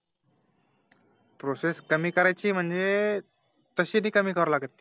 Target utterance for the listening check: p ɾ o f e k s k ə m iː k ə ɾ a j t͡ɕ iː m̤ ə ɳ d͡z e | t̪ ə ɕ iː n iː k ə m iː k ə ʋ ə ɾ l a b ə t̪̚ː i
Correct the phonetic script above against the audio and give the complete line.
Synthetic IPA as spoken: p ɾ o s e s k ə m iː k ə ɾ a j t͡ɕ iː m̤ ə ɳ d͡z e | t̪ ə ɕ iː n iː k ə m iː k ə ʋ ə ɾ l a ɡ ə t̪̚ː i